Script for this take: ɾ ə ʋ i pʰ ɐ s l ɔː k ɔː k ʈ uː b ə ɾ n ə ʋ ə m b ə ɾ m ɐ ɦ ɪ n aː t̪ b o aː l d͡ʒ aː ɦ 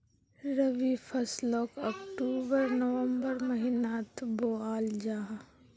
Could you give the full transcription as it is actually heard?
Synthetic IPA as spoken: ɾ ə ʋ i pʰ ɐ s l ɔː k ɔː k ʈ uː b ə ɾ n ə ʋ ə m b ə ɾ m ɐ ɦ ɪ n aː t̪ b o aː l d͡ʒ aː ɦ